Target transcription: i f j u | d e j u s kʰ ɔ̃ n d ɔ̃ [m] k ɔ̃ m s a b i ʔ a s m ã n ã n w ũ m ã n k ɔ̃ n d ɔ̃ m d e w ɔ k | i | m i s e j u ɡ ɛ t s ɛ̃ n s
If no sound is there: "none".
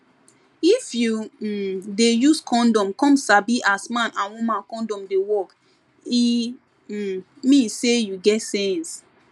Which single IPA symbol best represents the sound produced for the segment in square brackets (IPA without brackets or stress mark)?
m